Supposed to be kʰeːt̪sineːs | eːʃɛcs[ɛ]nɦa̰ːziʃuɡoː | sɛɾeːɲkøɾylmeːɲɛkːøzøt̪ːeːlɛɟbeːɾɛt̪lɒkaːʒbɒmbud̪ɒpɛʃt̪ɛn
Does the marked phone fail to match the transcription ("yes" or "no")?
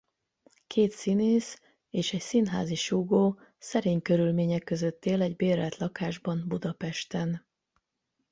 yes